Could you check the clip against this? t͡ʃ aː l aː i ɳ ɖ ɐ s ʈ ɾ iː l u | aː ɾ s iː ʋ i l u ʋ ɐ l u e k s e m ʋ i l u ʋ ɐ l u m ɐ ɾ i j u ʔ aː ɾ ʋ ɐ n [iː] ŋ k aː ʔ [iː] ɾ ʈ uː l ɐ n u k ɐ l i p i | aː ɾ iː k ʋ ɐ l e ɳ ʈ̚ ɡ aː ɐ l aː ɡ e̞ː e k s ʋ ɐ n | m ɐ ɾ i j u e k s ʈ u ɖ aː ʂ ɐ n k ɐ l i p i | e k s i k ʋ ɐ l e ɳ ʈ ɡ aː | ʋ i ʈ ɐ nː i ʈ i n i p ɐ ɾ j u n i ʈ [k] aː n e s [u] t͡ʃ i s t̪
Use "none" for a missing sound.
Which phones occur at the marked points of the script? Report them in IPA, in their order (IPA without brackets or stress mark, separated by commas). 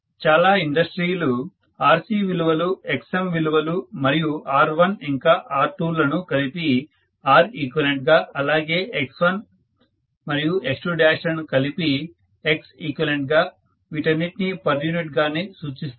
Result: i, aː, ɡ, uː